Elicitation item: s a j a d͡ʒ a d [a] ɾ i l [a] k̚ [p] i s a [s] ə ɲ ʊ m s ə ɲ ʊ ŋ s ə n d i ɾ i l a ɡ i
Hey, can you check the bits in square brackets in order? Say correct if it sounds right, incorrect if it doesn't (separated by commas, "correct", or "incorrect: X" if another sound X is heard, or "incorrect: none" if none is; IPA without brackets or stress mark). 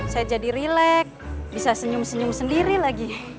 incorrect: i, incorrect: ɛ, incorrect: b, correct